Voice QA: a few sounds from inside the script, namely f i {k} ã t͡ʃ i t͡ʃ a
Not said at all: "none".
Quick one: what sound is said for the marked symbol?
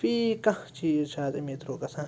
k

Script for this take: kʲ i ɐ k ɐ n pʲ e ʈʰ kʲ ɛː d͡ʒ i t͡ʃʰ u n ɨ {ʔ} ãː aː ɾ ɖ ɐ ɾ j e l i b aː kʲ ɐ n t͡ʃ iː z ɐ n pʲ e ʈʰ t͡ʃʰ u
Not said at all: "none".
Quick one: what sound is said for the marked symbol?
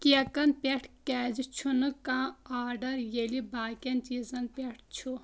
k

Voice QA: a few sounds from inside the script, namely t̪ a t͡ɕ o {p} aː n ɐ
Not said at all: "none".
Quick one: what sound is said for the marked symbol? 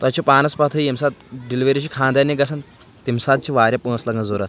p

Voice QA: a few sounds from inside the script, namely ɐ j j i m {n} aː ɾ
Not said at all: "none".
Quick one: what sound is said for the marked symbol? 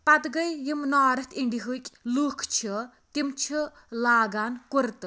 n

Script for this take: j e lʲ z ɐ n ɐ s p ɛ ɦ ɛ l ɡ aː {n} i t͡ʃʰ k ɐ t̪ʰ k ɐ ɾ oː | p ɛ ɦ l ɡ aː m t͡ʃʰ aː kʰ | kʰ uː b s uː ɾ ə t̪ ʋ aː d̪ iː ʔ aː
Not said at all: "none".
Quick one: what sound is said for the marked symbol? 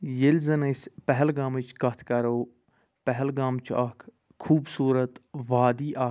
m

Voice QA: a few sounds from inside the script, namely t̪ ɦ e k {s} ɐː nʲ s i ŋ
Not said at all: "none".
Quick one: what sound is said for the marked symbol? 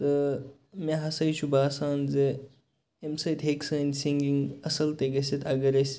s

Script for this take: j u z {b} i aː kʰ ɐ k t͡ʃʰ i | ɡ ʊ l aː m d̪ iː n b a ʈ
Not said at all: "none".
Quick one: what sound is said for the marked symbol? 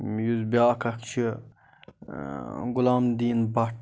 b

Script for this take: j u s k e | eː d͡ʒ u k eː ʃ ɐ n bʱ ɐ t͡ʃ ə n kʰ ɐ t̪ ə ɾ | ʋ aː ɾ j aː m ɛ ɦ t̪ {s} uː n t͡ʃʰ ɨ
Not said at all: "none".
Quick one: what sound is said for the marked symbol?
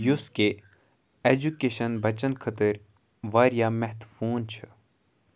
f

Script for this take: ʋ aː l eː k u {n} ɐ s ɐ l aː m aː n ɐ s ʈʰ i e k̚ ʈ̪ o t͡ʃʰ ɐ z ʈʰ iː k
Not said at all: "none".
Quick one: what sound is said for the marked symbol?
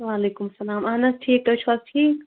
m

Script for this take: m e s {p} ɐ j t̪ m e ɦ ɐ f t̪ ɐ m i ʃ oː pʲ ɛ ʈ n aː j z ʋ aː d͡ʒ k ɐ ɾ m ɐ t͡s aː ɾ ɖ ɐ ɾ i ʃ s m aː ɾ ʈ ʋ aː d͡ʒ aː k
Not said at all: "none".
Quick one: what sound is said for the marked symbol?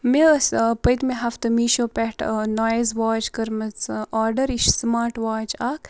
p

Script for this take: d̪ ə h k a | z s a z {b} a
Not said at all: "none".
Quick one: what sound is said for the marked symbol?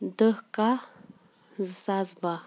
b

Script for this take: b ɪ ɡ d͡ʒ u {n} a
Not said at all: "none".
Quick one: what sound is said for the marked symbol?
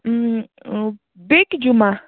m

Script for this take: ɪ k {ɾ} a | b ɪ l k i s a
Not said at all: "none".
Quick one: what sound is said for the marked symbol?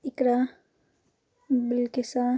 ɾ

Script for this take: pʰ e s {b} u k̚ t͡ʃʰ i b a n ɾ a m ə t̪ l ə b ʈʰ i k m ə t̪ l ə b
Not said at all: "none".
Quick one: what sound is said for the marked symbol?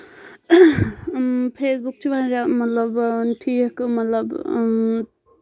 b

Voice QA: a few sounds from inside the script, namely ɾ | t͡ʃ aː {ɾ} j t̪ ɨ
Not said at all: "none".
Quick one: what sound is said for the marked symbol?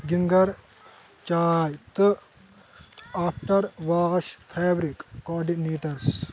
none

